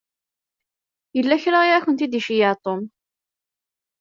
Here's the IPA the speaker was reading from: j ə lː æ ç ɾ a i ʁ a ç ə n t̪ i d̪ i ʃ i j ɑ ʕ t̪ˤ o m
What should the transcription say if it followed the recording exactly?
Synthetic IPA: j ə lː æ ç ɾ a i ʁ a ç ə n t̪ i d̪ i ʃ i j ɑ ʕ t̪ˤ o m

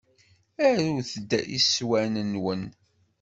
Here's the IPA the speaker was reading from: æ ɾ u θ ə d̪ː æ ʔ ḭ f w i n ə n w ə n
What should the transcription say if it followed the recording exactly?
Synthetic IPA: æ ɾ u θ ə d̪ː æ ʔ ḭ s w æ n ə n w ə n

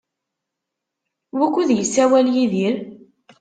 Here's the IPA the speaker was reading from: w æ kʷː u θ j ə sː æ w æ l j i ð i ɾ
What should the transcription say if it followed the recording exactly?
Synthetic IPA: w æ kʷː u ð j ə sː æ w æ l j i ð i ɾ

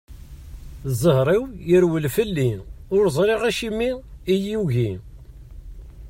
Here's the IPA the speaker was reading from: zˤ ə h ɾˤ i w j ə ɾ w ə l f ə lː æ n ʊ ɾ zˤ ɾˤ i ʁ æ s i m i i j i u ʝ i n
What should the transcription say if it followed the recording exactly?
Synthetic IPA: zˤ ə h ɾˤ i w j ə ɾ w ə l f ə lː i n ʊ ɾ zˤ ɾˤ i ʁ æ ʃ i m i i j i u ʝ i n

